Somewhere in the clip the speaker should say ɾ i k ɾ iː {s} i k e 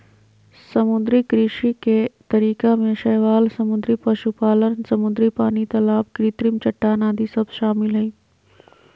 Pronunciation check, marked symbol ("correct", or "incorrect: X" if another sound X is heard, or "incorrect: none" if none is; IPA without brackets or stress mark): incorrect: ʃ